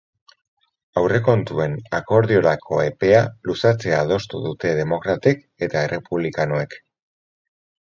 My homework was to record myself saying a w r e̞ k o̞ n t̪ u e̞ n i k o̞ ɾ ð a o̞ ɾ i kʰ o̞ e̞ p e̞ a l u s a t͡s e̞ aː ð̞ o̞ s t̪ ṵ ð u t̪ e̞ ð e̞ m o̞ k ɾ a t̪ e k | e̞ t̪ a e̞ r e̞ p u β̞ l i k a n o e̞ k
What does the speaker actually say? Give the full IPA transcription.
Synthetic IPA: a w r e̞ k o̞ n t̪ u e̞ n a k o̞ ɾ ð i o̞ ɾ a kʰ o̞ e̞ p e̞ a l u s a t͡s e̞ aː ð̞ o̞ s t̪ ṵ ð u t̪ e̞ ð e̞ m o̞ k ɾ a t̪ e k | e̞ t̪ a e̞ r e̞ p u β̞ l i k a n o e̞ k